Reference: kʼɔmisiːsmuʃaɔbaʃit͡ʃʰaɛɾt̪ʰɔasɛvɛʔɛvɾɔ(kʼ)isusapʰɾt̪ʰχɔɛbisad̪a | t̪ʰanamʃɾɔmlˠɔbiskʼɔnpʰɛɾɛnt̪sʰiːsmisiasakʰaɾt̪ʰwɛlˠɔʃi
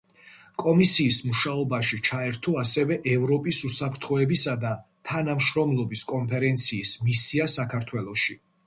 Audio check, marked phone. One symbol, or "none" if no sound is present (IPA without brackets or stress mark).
pʼ